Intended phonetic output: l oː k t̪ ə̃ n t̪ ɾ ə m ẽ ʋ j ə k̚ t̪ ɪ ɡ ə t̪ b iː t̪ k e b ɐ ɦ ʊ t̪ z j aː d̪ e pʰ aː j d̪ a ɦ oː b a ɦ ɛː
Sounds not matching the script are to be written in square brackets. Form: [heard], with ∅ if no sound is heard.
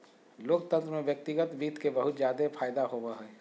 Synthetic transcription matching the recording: l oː k t̪ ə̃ n t̪ ɾ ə m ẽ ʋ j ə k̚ t̪ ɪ ɡ ə t̪ b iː t̪ k e b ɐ ɦ ʊ t̪ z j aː d̪ e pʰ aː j d̪ a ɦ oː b a ɦ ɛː